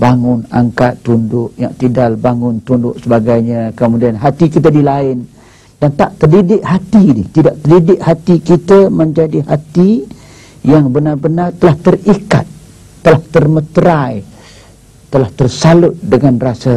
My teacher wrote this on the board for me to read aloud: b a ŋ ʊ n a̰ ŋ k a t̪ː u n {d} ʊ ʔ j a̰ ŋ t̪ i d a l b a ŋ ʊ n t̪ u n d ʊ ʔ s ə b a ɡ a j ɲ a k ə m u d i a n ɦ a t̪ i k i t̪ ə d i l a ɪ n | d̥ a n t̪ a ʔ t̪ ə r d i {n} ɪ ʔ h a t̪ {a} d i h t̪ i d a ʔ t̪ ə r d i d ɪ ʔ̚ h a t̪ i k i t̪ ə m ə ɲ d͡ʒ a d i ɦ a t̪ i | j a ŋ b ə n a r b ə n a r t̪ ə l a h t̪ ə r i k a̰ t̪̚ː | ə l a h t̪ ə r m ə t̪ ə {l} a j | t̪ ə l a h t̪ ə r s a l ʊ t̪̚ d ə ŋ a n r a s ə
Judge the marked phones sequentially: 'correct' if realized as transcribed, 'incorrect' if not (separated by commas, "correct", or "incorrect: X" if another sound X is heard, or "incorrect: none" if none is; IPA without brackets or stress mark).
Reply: correct, incorrect: d, incorrect: i, incorrect: ɾ